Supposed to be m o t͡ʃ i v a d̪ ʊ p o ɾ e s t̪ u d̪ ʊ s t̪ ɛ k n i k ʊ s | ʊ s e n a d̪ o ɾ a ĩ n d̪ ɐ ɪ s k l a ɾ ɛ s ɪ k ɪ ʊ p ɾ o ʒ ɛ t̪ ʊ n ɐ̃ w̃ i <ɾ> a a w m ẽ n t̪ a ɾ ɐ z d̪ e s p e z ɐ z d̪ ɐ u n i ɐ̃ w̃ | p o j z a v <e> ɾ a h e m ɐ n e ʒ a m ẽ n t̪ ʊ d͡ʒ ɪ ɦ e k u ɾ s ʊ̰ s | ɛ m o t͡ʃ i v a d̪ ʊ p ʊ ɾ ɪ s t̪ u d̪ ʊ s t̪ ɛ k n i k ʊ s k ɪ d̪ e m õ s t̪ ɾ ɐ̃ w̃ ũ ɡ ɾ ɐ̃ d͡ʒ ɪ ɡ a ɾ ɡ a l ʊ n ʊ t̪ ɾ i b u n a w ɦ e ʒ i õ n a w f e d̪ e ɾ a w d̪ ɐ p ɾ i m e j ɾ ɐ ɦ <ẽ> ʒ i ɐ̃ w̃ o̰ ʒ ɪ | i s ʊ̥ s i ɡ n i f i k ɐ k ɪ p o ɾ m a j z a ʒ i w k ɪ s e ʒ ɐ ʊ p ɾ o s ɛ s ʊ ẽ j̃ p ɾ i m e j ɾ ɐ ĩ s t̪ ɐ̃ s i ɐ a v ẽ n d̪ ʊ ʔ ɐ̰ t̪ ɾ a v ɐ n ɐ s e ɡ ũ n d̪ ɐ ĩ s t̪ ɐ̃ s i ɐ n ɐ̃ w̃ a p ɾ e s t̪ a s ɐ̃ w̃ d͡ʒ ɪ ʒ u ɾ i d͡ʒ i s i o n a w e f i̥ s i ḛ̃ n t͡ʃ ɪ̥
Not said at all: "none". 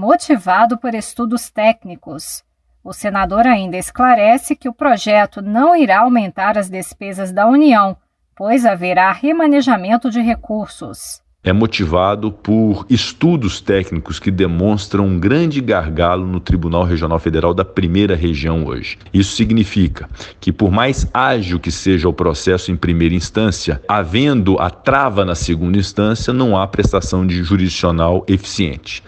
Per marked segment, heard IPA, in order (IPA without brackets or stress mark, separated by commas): ɾ, e, e